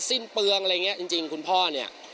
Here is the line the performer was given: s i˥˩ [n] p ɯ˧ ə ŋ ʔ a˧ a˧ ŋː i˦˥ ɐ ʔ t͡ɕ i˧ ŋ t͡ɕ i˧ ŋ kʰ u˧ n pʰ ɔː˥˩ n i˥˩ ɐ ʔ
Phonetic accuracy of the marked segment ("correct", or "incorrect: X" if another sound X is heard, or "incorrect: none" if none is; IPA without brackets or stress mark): correct